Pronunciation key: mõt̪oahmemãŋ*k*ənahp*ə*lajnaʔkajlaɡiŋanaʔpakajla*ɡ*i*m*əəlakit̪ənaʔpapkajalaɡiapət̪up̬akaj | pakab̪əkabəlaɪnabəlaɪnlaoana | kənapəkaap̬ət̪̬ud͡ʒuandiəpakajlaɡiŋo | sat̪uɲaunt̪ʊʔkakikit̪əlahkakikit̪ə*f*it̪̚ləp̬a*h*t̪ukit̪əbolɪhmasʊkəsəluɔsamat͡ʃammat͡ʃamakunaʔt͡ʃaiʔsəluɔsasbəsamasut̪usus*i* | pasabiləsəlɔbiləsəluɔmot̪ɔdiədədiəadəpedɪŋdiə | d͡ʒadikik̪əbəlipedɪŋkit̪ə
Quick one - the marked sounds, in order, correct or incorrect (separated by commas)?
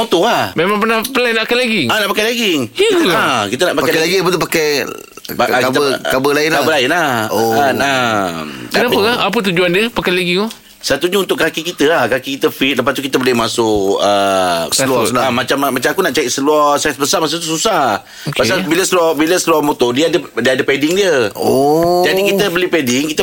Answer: incorrect, correct, correct, incorrect, correct, incorrect, incorrect